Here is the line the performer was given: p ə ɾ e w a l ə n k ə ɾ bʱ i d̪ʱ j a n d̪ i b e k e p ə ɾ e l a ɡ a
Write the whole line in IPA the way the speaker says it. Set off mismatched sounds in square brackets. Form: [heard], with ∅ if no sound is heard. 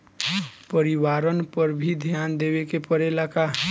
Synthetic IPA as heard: p ə ɾ [i] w a [ɾ] ə n [p] ə ɾ bʱ i d̪ʱ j a n d̪ [e] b e k e p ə ɾ e l a [k] a